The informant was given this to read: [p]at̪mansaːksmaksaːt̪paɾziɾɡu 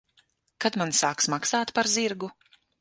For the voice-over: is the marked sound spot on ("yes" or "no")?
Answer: no